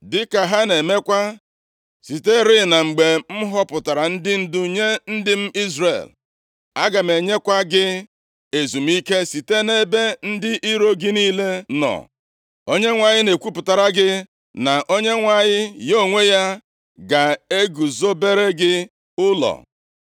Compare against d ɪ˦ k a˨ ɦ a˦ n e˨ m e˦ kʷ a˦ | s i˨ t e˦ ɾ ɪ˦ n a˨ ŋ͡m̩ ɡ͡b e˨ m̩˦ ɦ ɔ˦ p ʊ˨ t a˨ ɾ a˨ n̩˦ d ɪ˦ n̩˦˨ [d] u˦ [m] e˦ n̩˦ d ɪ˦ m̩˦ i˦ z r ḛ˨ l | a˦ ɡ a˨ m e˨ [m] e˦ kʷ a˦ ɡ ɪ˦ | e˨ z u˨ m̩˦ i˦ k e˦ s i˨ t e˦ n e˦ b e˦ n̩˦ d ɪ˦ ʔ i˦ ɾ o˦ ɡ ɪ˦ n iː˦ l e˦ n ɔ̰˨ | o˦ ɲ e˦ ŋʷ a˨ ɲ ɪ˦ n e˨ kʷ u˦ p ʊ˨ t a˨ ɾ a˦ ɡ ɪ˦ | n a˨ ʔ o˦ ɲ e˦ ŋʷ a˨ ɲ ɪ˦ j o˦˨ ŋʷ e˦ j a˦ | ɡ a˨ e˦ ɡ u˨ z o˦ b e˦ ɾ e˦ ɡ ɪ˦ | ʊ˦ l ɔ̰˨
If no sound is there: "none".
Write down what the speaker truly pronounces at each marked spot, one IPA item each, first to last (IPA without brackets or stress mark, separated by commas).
d, ɲ, ɲ